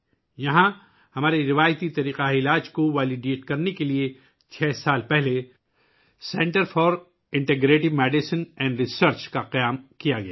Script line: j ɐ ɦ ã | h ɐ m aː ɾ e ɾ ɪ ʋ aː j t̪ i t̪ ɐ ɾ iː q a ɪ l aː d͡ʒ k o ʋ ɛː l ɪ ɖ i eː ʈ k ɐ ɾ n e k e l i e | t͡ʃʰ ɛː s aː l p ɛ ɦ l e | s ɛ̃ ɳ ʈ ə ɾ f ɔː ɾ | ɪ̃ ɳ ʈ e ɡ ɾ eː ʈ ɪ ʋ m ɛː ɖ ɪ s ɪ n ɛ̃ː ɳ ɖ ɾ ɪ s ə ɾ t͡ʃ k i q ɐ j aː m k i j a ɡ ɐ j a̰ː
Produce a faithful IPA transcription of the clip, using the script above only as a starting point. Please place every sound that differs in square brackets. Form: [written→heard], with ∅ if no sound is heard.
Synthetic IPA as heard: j ɐ ɦ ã | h ɐ m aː ɾ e ɾ ɪ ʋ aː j t̪ i t̪ ɐ ɾ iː q a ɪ l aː d͡ʒ k o ʋ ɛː l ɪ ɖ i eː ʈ k ɐ ɾ n e k e l i e | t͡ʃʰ ɛː s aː l p ɛ ɦ l e | s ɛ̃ ɳ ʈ ə ɾ f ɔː ɾ | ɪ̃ ɳ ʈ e ɡ ɾ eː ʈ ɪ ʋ m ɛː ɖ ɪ s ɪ n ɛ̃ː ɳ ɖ ɾ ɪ s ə ɾ t͡ʃ k [i→a] q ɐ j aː m k i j a ɡ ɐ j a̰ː